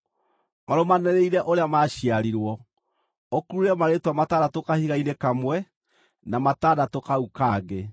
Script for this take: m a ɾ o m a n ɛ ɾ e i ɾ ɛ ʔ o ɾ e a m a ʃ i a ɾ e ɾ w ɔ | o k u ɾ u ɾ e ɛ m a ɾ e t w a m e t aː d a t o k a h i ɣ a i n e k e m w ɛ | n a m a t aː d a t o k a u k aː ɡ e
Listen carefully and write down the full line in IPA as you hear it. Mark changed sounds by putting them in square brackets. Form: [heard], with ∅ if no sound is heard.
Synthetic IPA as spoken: m a ɾ o m a n ɛ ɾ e i ɾ ɛ ʔ o ɾ e a m a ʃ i a ɾ [i] ɾ w ɔ | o k u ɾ u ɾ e ɛ m a ɾ e t w a m [a] t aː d a t o k a h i ɣ a i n e k [a] m w ɛ | n a m a t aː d a t o k a u k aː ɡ e